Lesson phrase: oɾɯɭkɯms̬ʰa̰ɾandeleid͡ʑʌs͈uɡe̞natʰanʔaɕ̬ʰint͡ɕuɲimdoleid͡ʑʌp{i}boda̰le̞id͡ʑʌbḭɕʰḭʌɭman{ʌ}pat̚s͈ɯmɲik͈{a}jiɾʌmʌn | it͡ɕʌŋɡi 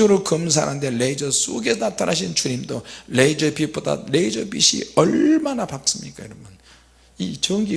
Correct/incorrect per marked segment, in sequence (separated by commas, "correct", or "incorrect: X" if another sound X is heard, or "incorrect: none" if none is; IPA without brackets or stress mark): correct, incorrect: a, correct